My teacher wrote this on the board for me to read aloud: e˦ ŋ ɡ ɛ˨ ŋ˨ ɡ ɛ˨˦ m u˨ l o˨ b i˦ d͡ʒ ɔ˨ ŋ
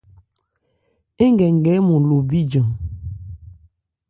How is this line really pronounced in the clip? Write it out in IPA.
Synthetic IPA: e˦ ŋ ɡ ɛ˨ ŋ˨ ɡ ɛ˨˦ m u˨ l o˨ b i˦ d͡ʒ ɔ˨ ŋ